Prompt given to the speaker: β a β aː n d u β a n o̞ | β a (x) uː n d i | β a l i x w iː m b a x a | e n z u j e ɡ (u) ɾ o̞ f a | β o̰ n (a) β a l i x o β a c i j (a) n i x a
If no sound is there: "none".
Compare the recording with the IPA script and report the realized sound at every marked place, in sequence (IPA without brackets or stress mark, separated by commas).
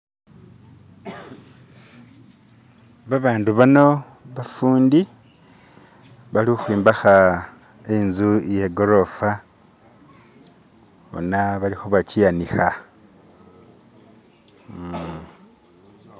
f, o, a, a